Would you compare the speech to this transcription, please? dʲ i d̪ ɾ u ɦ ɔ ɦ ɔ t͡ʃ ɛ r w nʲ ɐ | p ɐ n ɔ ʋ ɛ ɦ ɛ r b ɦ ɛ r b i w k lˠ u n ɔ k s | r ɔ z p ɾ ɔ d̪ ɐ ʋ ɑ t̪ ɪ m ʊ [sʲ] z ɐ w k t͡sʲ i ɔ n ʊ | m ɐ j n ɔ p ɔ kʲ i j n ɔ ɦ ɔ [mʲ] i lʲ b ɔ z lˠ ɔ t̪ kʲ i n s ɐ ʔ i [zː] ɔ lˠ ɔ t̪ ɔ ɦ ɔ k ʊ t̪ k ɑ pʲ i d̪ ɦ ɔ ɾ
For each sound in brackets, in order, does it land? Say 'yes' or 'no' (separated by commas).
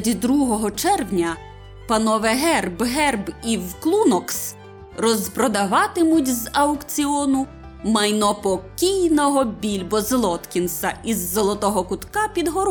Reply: no, no, yes